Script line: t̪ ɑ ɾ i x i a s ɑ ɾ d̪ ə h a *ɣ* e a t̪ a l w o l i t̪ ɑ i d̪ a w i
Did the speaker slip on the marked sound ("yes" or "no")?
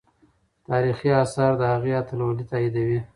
no